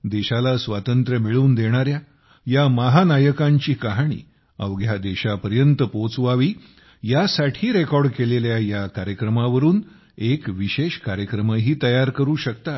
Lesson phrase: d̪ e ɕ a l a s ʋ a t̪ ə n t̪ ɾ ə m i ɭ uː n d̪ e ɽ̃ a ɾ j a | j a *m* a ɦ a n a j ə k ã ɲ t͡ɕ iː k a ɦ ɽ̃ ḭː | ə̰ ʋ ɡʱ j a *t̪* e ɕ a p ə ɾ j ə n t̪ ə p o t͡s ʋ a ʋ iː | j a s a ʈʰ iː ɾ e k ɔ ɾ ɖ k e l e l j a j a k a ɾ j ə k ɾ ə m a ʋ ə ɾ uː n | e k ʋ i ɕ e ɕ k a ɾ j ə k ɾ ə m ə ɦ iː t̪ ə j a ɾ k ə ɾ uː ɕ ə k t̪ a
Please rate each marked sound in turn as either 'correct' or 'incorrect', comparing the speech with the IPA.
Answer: correct, incorrect

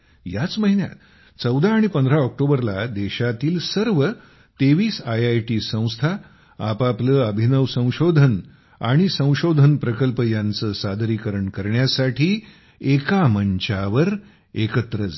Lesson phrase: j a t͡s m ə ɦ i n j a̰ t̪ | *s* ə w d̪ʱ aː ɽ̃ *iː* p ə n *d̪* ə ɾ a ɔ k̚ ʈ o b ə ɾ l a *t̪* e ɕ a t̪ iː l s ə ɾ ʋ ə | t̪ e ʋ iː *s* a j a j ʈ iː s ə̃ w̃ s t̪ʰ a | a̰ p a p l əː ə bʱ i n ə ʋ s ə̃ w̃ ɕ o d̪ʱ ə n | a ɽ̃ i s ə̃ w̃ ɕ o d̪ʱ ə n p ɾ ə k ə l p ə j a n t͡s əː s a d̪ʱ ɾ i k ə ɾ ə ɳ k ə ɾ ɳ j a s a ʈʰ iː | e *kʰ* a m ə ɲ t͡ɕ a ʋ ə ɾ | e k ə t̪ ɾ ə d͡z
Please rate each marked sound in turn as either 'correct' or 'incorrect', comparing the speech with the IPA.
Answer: incorrect, incorrect, correct, incorrect, correct, incorrect

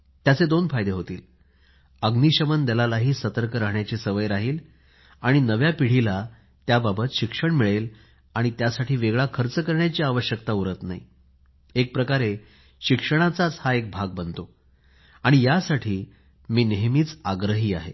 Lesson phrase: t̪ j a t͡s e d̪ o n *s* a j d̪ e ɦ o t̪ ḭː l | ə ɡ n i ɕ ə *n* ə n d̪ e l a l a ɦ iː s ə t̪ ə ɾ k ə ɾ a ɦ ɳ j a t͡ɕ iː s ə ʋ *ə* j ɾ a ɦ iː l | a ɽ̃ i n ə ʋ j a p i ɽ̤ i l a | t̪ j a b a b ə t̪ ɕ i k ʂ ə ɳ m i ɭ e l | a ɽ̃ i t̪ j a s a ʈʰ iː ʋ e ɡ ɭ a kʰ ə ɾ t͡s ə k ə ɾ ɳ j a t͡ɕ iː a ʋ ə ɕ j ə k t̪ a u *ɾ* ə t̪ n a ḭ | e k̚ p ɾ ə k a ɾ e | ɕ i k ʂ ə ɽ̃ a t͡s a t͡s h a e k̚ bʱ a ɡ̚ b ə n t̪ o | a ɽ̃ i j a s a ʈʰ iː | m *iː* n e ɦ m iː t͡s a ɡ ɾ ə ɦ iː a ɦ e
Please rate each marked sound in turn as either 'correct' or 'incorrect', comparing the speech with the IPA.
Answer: incorrect, incorrect, correct, correct, correct

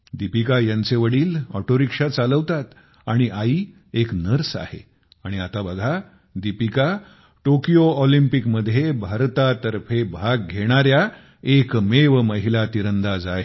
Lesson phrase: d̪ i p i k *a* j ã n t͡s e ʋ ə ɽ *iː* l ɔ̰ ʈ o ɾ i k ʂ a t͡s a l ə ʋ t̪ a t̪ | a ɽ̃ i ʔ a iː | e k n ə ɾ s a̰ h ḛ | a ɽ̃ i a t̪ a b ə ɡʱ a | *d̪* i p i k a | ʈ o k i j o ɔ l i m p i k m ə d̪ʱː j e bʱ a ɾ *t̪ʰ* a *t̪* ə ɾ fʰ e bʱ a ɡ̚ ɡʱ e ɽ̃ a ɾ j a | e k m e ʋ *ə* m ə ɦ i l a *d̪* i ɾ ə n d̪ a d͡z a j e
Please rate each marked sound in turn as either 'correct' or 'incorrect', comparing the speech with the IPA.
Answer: correct, correct, correct, incorrect, correct, correct, incorrect

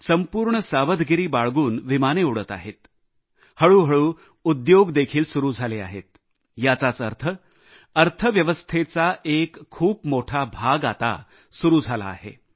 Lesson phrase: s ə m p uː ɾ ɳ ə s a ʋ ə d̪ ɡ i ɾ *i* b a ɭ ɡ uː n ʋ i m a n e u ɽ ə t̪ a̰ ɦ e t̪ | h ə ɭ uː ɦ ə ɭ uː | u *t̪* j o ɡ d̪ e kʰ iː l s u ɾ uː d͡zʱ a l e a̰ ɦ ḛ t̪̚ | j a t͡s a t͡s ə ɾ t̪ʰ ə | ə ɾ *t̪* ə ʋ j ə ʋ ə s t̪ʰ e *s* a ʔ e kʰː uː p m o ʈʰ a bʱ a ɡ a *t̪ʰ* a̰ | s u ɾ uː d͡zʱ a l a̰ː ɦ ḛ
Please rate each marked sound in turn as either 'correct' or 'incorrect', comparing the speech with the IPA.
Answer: incorrect, incorrect, incorrect, incorrect, incorrect

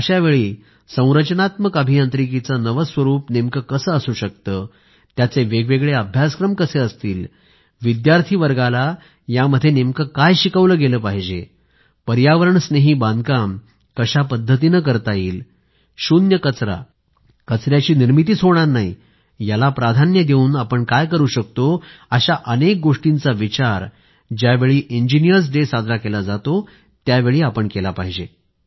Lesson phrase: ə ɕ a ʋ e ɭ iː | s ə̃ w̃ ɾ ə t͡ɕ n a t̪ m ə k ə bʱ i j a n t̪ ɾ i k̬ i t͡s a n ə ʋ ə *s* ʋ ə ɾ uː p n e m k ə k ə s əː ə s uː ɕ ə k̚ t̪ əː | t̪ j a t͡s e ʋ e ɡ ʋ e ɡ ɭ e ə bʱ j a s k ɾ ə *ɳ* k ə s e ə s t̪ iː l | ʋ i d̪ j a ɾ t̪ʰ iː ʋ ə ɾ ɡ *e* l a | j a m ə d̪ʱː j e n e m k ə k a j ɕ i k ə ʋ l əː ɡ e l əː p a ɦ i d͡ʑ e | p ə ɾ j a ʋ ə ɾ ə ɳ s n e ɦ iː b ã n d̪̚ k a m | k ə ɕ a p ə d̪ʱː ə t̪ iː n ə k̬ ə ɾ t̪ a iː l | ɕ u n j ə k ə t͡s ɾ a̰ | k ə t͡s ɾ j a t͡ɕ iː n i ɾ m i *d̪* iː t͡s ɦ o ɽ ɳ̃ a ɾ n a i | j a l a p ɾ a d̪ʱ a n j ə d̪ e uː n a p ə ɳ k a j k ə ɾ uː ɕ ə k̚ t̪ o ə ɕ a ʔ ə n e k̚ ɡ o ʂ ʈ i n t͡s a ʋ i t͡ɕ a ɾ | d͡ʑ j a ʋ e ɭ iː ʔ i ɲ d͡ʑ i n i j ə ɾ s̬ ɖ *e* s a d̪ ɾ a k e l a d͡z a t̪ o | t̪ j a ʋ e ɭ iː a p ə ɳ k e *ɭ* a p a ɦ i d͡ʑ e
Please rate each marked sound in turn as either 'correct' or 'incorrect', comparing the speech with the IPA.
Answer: correct, incorrect, incorrect, incorrect, correct, incorrect

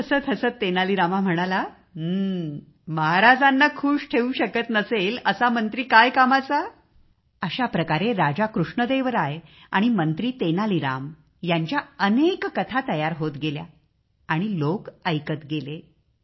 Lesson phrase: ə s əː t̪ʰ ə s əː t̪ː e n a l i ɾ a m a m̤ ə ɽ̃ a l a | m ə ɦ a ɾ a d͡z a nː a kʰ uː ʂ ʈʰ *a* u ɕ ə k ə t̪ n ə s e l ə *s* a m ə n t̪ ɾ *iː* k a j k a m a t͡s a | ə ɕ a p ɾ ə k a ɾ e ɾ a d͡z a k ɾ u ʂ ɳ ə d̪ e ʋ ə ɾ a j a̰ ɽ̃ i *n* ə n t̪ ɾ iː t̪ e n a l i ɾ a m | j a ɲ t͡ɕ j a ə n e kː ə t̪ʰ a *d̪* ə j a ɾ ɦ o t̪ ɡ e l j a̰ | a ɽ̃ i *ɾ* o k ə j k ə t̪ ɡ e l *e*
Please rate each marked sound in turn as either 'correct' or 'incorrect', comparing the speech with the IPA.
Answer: incorrect, correct, correct, incorrect, incorrect, incorrect, correct

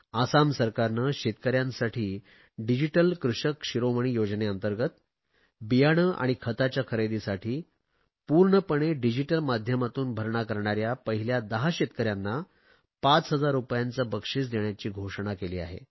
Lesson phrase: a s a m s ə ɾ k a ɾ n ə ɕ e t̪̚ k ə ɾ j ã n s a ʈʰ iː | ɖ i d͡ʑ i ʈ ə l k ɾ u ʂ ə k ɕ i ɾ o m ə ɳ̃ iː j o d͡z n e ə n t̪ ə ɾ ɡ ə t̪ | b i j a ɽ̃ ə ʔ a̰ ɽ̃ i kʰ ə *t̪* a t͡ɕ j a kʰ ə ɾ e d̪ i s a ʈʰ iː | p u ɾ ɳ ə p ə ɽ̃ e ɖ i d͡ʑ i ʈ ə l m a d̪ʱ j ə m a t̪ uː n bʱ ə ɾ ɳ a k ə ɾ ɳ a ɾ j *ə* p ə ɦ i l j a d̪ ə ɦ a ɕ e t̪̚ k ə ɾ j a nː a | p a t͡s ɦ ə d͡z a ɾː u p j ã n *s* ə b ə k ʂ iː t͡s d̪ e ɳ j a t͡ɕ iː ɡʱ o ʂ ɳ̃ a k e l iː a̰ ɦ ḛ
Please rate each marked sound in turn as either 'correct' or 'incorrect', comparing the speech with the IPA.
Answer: correct, incorrect, incorrect

